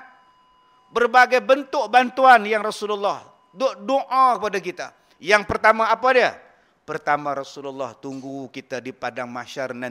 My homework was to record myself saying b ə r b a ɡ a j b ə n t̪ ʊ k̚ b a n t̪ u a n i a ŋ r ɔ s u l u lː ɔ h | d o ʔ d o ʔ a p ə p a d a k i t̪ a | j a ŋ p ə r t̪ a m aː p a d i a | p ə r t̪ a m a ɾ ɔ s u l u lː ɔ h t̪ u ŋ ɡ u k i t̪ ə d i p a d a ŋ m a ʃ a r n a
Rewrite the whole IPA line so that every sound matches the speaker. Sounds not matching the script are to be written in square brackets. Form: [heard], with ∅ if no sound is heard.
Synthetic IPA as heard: b ə r b a ɡ a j b ə n t̪ ʊ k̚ b a n t̪ u a n [j] a ŋ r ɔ s u l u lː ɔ h | d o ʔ d o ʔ a [k] ə p a d a k i t̪ a | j a ŋ p ə r t̪ a m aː p a d i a | p ə r t̪ a m a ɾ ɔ s u l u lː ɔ h t̪ u ŋ ɡ u k i t̪ [a] d i p a d a ŋ m a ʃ a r n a